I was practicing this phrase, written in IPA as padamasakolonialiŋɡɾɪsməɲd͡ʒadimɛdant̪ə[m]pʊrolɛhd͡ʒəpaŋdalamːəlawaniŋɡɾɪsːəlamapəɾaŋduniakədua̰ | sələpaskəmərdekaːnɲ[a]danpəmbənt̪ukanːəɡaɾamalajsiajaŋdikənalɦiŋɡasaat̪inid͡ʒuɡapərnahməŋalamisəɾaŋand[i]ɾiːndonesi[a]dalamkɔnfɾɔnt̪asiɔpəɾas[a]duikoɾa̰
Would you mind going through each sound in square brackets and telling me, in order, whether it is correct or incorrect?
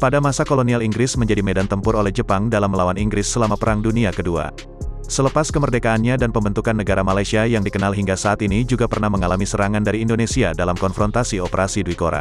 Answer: correct, correct, incorrect, correct, incorrect

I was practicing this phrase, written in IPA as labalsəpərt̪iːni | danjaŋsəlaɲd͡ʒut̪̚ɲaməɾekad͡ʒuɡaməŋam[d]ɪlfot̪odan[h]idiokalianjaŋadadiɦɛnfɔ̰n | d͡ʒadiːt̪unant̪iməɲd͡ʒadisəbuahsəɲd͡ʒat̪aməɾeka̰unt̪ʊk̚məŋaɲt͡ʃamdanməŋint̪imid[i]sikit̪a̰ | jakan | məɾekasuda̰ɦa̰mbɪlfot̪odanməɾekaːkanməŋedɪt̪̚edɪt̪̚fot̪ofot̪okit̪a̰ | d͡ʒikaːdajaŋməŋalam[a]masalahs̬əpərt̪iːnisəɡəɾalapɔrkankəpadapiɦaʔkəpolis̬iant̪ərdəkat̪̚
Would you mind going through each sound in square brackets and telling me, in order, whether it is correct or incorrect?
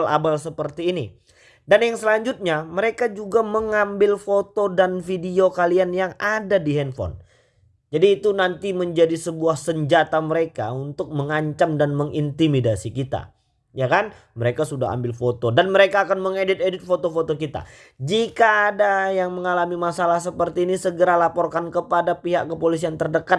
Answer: incorrect, incorrect, incorrect, incorrect

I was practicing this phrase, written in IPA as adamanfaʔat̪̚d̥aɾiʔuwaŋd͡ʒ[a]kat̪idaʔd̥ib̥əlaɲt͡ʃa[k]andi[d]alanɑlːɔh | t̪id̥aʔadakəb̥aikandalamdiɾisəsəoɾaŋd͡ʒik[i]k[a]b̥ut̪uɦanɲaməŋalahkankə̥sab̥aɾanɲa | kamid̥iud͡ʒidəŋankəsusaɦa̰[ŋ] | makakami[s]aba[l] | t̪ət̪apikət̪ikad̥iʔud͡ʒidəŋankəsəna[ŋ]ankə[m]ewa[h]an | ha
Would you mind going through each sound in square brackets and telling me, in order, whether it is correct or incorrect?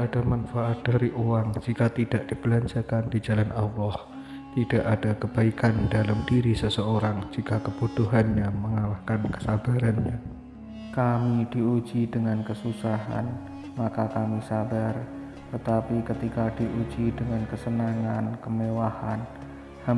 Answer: incorrect, correct, incorrect, incorrect, incorrect, incorrect, correct, incorrect, correct, correct, correct

